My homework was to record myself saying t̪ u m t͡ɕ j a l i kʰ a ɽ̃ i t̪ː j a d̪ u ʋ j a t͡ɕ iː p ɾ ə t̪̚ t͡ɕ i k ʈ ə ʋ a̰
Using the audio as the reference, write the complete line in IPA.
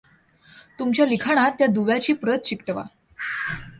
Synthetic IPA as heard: t̪ u m t͡ɕ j a l i kʰ a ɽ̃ a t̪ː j a d̪ u ʋ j a t͡ɕ iː p ɾ ə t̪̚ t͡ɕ i k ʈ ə ʋ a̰